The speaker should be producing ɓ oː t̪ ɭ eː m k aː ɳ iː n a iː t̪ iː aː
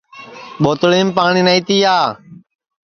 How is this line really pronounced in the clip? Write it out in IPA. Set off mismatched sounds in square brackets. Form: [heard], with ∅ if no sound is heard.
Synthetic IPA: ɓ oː t̪ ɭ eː m [p] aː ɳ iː n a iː t̪ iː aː